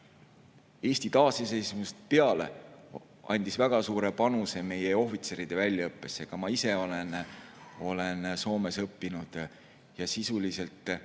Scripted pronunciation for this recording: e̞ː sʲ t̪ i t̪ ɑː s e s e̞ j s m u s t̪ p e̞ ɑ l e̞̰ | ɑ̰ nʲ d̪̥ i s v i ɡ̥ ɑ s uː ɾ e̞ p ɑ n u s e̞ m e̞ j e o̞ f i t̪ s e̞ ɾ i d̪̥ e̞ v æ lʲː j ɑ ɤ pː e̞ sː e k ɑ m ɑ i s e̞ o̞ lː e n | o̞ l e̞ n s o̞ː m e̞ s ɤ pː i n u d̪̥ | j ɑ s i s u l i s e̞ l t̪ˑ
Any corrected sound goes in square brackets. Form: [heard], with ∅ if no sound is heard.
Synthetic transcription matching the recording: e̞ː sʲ t̪ i t̪ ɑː s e s e̞ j s m u s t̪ p e̞ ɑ l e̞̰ | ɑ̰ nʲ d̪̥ i s v [æ] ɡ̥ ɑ s uː ɾ e̞ p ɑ n u s e̞ m e̞ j e o̞ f i t̪ s e̞ ɾ i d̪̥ e̞ v æ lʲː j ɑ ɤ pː e̞ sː e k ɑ m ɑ i s e̞ o̞ [l] e n | o̞ l e̞ n s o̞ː m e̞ s ɤ pː i n u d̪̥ | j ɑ s i s u l i s e̞ l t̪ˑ